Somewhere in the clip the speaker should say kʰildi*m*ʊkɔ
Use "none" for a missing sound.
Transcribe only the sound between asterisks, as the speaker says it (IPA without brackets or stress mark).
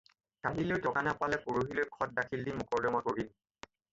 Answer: m